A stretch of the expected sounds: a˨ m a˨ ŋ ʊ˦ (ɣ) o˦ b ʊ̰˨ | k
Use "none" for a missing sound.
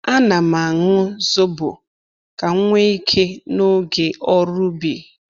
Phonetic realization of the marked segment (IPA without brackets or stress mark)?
z